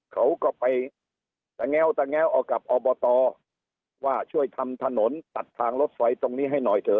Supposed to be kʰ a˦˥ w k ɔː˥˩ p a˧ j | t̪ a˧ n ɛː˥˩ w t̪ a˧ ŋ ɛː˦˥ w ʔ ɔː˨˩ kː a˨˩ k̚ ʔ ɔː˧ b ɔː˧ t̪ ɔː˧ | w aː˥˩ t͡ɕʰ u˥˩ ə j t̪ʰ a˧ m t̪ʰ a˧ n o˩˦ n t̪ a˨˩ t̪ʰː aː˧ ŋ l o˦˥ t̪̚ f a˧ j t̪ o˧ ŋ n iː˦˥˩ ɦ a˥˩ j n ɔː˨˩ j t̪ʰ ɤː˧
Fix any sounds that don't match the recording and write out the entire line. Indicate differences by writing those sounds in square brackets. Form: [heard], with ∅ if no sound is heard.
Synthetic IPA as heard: kʰ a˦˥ w k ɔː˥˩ p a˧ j | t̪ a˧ [ŋ] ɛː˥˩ w t̪ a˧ ŋ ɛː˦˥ w ʔ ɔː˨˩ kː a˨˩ [p̚] ʔ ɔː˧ b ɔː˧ t̪ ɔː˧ | w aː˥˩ t͡ɕʰ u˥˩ ə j t̪ʰ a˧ m t̪ʰ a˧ n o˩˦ n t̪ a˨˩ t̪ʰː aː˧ ŋ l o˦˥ t̪̚ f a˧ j t̪ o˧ ŋ n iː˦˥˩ ɦ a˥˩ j n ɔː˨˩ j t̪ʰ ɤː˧